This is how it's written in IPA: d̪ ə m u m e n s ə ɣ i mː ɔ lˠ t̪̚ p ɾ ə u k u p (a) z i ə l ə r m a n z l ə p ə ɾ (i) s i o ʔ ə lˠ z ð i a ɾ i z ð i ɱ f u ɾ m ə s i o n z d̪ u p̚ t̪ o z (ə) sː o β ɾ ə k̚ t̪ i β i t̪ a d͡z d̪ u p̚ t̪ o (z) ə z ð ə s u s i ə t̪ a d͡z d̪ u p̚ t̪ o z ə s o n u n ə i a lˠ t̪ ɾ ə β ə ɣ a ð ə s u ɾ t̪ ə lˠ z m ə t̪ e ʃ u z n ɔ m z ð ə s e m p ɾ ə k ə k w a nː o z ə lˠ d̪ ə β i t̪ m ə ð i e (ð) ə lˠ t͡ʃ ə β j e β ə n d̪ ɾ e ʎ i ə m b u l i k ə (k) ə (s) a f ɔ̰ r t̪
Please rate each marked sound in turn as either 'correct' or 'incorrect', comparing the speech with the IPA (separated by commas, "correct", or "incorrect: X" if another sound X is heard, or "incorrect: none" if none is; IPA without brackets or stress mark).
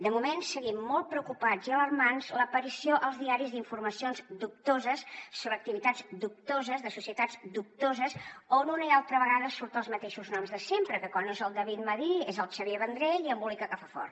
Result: correct, correct, correct, correct, incorrect: z, correct, incorrect: f